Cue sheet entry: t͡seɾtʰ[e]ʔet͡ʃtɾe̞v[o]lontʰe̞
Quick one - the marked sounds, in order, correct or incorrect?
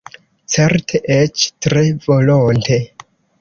correct, correct

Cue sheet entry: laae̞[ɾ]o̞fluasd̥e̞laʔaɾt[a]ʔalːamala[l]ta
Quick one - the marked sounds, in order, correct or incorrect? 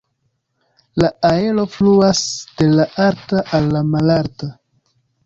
incorrect, correct, incorrect

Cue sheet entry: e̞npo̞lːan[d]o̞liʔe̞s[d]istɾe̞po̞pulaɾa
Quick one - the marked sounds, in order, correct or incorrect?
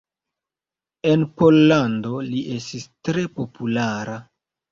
correct, incorrect

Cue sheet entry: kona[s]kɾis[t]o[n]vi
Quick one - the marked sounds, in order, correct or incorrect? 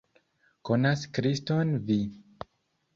correct, correct, correct

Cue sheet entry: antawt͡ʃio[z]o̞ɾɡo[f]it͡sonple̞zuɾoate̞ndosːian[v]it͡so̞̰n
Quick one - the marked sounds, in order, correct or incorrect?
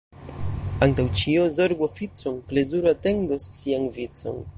correct, correct, correct

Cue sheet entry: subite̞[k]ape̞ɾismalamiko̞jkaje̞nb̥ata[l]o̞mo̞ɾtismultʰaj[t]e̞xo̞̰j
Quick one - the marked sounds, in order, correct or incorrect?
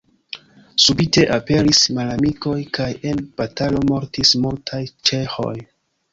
incorrect, correct, incorrect

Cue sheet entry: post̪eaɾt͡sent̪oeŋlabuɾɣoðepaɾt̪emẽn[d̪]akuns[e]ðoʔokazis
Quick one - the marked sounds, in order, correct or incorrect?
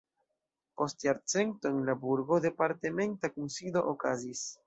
incorrect, incorrect

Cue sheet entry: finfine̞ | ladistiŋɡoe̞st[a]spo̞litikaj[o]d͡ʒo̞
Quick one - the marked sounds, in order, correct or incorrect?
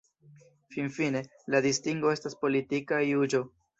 correct, incorrect

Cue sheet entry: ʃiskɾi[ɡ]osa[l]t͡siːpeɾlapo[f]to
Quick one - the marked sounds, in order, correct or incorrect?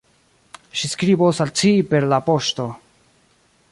incorrect, correct, incorrect

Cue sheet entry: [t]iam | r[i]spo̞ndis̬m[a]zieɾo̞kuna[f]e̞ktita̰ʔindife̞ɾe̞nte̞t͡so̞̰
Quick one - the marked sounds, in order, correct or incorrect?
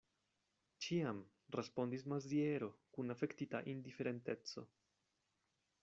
incorrect, incorrect, correct, correct

